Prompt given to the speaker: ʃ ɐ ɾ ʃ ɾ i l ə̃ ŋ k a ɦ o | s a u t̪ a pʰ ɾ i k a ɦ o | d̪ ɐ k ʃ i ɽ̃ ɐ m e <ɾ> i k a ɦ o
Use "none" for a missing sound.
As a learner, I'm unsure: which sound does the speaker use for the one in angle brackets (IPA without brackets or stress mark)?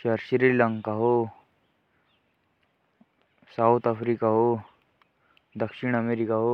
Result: ɾ